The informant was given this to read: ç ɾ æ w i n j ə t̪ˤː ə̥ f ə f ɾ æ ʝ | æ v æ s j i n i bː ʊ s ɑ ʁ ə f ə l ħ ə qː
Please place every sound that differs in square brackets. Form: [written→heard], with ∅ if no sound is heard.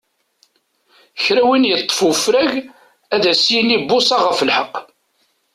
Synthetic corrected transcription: ç ɾ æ w i n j ə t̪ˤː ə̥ f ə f ɾ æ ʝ | æ [v→ð] æ s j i n i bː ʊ s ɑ ʁ ə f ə l ħ ə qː